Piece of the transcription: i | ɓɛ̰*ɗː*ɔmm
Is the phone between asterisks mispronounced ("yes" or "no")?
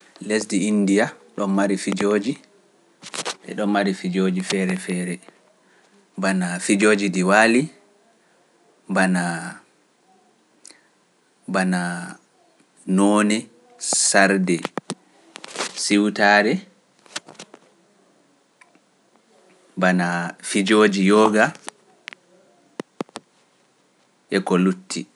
yes